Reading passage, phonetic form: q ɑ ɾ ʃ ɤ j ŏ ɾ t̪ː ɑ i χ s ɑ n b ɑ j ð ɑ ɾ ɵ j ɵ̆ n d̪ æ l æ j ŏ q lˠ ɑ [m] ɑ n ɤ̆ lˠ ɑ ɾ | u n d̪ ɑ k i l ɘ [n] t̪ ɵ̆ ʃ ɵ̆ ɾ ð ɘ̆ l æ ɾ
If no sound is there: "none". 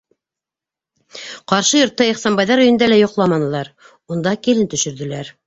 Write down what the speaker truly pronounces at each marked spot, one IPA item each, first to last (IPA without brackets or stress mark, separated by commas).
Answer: m, n